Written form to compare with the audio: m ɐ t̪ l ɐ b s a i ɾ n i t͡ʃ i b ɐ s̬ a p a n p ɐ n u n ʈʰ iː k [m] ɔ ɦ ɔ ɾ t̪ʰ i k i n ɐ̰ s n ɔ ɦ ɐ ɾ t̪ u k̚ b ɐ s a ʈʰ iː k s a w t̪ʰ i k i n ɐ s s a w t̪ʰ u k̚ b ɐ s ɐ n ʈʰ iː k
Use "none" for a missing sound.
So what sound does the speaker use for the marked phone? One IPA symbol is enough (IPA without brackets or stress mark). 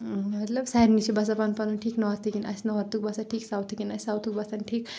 n